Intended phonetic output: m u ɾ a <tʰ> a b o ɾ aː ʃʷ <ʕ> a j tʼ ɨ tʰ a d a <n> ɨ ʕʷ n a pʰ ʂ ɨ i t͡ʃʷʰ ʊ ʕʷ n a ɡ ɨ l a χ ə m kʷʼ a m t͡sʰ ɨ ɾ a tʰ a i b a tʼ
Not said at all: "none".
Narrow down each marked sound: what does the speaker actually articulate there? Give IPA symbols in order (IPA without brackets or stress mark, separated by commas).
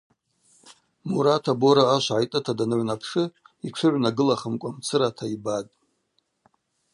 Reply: tʰ, ʕ, n